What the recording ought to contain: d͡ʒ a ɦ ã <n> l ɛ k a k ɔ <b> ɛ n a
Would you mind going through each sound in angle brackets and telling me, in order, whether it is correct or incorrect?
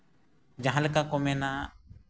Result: incorrect: none, incorrect: m

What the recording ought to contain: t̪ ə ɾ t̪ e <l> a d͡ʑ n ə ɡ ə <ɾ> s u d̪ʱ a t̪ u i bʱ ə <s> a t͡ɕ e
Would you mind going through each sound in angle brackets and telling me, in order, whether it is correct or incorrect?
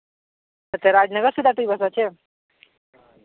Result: incorrect: ɾ, correct, correct

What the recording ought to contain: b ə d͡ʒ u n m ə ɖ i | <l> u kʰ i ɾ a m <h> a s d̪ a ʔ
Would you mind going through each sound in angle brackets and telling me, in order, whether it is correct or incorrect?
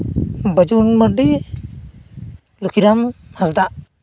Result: correct, correct

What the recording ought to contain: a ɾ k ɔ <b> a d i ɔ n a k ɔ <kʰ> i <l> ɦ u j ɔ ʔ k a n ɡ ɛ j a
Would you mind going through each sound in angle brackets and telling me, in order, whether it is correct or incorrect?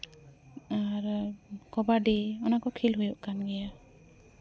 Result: correct, correct, correct

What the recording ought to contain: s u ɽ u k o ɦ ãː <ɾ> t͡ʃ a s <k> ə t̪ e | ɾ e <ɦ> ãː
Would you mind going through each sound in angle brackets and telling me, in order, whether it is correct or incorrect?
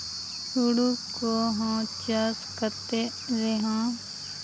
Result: incorrect: none, correct, correct

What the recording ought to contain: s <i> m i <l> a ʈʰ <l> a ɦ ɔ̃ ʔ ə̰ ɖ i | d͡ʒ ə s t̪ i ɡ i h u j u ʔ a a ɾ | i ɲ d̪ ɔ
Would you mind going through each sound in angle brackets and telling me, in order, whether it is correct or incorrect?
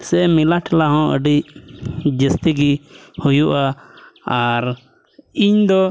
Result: incorrect: ɛ, correct, correct

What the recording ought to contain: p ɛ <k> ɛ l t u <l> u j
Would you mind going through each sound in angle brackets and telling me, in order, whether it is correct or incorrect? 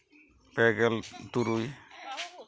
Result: incorrect: ɡ, incorrect: ɾ

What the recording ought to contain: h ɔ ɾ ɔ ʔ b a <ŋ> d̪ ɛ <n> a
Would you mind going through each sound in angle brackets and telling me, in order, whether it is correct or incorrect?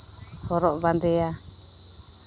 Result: incorrect: n, incorrect: none

